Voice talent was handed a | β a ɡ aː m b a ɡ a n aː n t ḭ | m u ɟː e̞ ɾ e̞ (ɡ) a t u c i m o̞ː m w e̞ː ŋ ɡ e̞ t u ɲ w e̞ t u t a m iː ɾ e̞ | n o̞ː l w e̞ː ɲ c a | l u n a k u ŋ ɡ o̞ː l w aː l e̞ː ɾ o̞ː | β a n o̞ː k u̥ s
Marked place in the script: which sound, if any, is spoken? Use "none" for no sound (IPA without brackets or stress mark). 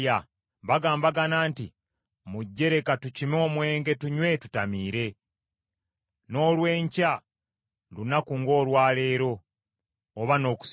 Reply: k